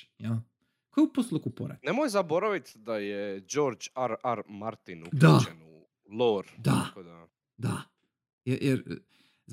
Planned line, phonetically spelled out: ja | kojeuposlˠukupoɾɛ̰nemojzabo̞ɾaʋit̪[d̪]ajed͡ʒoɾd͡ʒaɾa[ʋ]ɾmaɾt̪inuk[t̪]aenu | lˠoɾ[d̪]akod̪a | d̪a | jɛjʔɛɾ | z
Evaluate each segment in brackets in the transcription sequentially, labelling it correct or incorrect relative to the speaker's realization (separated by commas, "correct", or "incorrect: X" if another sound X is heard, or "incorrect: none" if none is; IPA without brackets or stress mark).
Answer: correct, incorrect: none, incorrect: d̪, correct